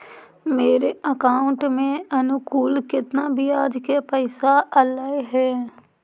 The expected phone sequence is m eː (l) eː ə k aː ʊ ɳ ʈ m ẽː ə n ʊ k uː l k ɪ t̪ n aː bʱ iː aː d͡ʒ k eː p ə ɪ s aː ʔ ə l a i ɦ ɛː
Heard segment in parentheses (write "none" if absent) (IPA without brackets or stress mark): ɾ